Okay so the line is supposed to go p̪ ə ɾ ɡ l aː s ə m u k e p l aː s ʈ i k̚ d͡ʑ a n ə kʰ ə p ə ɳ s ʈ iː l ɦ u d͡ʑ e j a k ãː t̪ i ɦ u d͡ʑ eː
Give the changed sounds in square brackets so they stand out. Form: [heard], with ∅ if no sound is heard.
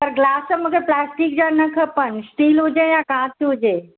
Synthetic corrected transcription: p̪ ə ɾ ɡ l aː s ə m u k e p l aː s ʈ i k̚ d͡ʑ a n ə kʰ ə p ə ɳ s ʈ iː l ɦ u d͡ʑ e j a k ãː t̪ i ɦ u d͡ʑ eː